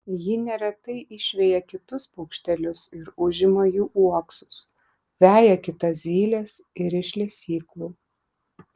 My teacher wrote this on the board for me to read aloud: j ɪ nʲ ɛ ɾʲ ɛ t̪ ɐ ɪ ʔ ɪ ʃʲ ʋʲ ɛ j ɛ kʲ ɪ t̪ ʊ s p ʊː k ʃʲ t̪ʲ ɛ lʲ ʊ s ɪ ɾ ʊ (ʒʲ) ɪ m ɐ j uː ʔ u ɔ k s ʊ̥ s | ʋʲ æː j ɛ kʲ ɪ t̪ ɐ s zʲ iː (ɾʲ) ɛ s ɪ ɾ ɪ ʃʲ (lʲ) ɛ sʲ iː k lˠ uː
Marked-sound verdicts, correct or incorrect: correct, incorrect: lʲ, correct

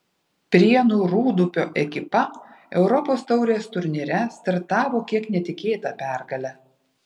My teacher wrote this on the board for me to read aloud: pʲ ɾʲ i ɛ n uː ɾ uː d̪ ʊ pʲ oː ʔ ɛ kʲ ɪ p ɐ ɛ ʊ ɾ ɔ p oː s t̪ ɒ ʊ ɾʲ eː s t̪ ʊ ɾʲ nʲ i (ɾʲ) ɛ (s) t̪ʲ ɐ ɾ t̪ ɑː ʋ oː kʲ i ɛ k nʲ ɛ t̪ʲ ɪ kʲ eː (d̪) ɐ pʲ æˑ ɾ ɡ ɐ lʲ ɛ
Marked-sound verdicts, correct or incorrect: correct, correct, incorrect: t̪

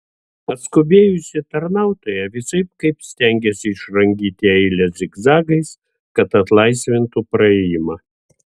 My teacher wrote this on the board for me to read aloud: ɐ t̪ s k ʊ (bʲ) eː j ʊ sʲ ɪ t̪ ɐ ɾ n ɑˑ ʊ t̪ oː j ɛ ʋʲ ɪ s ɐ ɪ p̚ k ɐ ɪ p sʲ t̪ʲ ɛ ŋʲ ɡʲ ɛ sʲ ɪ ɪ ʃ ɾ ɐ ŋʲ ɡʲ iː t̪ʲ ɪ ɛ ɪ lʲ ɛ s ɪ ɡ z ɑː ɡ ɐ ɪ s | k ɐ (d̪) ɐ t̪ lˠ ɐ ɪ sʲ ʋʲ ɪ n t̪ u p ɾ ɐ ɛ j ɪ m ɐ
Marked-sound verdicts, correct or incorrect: correct, incorrect: t̪

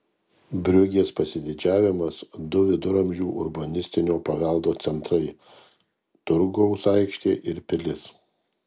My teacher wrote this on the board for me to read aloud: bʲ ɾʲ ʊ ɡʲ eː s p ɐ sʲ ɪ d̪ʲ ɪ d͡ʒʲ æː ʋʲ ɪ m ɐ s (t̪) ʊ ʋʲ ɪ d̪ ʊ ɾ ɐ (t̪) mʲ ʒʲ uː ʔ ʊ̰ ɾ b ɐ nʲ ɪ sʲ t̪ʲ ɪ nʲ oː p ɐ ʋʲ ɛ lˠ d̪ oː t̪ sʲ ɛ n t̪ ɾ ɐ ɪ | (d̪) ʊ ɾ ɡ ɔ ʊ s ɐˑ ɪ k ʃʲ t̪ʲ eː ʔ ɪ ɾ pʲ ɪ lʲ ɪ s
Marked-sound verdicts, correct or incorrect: incorrect: d̪, incorrect: none, incorrect: t̪

